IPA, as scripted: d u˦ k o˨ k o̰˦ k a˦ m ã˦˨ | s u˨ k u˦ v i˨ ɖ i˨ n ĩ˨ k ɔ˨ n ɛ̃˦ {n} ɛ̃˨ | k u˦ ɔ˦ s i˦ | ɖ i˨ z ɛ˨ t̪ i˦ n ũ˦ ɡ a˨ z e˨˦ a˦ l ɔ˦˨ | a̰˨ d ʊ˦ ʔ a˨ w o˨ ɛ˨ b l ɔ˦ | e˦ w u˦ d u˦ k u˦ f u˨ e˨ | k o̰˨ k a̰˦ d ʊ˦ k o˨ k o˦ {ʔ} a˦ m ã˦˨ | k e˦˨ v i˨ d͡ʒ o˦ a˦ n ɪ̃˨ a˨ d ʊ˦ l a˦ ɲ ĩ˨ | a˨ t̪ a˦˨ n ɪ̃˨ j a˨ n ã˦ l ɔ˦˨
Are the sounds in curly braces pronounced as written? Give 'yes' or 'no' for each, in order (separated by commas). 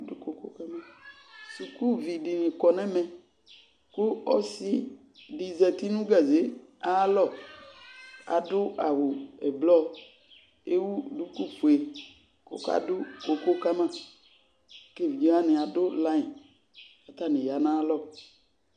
no, no